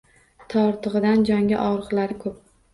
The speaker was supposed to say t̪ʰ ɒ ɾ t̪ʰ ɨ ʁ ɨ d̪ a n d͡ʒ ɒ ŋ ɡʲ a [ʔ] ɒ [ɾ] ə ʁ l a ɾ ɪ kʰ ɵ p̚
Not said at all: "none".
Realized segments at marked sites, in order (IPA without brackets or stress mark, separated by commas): ʔ, ɾ